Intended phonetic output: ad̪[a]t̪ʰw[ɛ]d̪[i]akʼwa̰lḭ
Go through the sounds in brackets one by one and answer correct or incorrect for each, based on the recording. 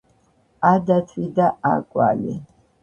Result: correct, incorrect: i, incorrect: a

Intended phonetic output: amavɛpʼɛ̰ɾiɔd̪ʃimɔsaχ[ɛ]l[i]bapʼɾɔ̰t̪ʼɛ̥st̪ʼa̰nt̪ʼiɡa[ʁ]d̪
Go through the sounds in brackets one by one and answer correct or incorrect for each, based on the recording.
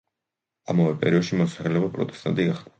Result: correct, incorrect: ɛ, incorrect: χ

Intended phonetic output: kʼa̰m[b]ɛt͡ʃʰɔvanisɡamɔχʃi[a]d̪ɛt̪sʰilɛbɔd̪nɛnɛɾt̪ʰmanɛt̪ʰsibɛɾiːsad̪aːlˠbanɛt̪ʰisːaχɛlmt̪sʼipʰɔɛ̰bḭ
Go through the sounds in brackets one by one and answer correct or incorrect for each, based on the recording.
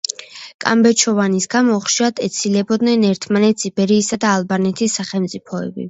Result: correct, correct

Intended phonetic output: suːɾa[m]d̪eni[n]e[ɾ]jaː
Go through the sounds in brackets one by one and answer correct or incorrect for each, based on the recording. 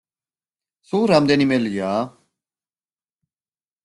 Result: correct, incorrect: m, incorrect: l

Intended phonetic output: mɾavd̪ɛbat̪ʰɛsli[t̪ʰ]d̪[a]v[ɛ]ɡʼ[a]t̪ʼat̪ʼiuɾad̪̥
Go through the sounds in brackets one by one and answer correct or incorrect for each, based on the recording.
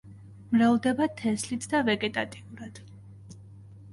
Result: correct, correct, correct, incorrect: ɛ

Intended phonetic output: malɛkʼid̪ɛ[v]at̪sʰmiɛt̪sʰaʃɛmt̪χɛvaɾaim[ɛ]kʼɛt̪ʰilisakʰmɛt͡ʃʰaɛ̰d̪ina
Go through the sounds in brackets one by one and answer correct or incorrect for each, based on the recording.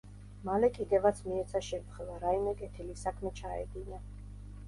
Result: correct, correct

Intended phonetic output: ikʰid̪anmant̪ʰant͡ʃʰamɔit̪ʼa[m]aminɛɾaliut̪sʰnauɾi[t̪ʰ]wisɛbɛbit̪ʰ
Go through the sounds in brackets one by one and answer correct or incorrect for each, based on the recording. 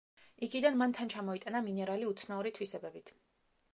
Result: incorrect: n, correct

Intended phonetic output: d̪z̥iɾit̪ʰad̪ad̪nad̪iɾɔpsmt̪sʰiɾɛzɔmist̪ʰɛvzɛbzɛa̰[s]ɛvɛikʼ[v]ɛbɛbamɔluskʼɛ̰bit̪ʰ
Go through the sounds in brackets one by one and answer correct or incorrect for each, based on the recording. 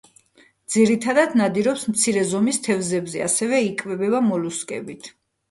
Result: correct, correct

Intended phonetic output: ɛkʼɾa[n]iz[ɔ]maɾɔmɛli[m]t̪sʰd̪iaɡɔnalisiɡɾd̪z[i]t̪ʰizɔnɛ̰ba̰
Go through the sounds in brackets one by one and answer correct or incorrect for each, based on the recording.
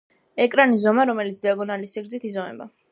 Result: correct, correct, incorrect: none, correct

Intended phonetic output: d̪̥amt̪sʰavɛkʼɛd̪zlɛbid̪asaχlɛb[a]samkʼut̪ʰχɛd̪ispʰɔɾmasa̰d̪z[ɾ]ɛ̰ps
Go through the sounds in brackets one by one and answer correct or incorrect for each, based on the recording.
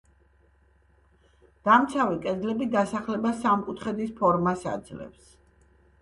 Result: correct, incorrect: l

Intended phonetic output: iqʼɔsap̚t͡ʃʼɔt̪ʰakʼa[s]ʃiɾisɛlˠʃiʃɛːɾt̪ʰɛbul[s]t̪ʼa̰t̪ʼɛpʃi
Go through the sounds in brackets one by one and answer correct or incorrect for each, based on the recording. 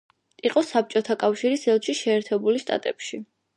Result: incorrect: f, incorrect: ʃ

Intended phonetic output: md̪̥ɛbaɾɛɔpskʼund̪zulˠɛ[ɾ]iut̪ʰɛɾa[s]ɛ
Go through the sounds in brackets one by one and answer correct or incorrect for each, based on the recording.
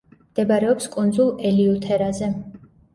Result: incorrect: l, incorrect: z

